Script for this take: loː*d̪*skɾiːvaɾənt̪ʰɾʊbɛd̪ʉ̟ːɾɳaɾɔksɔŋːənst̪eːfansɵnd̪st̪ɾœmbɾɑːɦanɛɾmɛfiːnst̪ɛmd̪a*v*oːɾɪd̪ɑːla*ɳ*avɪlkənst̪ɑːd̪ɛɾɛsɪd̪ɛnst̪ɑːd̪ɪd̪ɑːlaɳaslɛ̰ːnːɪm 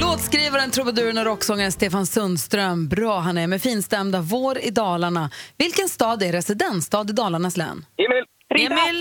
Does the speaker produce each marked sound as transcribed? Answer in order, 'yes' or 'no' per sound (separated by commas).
no, yes, yes